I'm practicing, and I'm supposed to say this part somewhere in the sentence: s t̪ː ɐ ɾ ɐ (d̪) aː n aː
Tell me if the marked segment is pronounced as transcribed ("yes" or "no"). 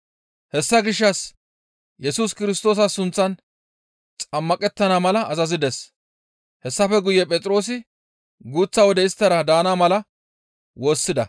yes